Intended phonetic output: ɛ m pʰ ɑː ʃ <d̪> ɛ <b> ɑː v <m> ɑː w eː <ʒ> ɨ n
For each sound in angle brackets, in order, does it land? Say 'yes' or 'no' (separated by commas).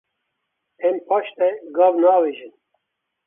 no, no, no, yes